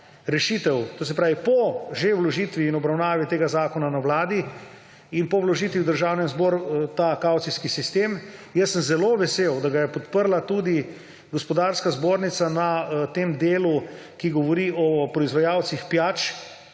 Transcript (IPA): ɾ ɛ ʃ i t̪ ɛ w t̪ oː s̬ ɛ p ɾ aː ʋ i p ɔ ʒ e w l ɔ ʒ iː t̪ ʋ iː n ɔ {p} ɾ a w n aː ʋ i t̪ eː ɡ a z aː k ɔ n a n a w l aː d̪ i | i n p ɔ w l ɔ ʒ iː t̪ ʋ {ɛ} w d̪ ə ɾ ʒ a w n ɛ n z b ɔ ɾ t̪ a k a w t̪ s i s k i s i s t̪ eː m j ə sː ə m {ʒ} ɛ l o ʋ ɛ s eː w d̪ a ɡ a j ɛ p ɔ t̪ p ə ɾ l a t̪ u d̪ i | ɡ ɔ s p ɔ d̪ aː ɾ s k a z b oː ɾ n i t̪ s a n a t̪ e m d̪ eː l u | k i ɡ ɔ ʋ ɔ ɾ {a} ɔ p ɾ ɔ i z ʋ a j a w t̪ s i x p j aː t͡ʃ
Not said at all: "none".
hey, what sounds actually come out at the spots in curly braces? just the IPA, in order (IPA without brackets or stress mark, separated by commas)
b, i, z, i